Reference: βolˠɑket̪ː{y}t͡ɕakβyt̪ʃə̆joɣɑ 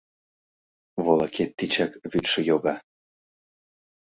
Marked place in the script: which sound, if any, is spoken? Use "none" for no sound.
i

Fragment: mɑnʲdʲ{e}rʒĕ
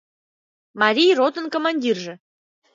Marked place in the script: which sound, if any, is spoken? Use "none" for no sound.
i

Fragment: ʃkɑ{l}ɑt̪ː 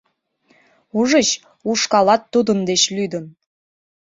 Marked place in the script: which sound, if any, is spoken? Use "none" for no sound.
l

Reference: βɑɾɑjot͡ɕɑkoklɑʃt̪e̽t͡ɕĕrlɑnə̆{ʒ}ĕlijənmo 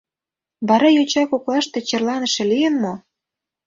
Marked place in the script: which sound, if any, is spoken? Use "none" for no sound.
ʃ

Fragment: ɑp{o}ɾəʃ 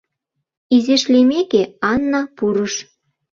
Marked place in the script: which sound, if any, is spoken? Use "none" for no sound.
u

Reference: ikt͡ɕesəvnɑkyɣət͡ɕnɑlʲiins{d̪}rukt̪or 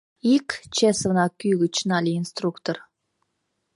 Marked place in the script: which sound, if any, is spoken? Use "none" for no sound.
t̪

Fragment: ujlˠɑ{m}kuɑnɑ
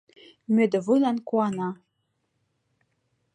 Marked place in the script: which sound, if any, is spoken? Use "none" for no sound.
n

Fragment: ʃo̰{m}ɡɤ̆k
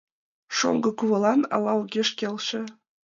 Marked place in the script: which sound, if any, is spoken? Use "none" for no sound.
ŋ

